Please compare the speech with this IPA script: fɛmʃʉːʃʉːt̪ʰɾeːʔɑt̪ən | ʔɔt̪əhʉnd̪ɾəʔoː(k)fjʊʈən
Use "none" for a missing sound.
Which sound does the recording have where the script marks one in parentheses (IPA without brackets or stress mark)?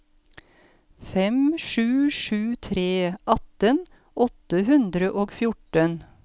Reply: ɡ